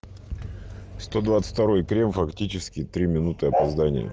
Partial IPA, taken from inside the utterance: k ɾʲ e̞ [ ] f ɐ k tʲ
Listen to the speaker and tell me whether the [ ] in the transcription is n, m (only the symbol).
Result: m